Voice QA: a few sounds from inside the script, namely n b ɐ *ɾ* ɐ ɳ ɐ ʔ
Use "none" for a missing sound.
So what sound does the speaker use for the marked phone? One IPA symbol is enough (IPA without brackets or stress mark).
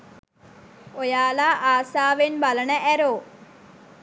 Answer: l